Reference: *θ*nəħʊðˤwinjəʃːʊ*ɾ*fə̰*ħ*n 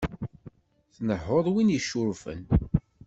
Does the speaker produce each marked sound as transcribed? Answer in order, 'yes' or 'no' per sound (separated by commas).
yes, yes, no